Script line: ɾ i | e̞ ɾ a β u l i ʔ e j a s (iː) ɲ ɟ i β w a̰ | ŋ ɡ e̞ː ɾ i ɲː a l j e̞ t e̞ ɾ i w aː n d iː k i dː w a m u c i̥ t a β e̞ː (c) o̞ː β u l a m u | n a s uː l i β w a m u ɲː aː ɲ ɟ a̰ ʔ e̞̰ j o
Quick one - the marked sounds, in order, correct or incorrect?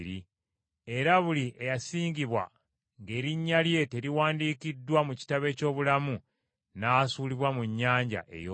correct, correct

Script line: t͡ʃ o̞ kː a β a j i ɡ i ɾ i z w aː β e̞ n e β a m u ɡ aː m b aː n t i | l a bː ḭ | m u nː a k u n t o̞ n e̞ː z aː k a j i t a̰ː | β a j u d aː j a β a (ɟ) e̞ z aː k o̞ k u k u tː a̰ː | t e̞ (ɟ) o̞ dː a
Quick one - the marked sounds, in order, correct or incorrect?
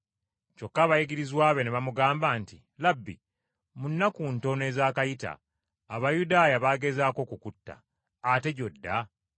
incorrect: ɡ, correct

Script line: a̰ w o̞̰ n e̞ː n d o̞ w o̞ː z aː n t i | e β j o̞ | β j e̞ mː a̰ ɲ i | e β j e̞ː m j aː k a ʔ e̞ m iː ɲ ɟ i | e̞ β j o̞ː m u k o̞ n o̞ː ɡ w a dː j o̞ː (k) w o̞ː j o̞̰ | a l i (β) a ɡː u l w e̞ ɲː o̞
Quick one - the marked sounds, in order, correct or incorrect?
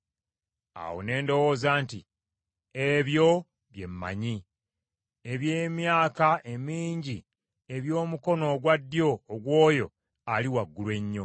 incorrect: ɡ, incorrect: w

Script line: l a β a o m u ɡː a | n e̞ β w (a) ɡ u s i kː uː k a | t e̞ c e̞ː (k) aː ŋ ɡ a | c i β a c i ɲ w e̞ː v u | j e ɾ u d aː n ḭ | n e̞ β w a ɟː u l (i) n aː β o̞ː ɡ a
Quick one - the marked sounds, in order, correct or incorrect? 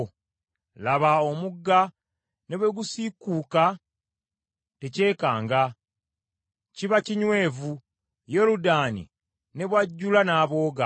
incorrect: e, correct, incorrect: a

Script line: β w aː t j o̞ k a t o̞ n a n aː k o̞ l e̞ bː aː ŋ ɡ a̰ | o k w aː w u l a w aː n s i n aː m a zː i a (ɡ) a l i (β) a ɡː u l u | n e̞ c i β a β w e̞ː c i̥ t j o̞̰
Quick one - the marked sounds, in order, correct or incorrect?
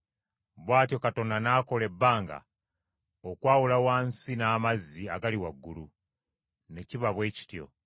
correct, incorrect: w

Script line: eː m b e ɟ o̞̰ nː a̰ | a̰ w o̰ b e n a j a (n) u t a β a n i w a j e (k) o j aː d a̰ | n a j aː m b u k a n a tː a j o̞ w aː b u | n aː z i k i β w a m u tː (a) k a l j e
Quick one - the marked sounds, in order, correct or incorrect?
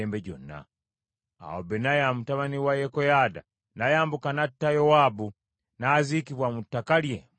incorrect: m, correct, correct

